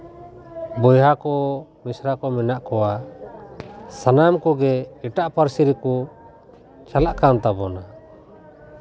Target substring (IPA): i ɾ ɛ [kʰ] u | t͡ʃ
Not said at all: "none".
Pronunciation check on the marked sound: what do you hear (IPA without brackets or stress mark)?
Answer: k